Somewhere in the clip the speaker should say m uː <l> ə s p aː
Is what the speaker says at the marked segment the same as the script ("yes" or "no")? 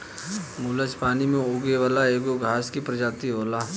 yes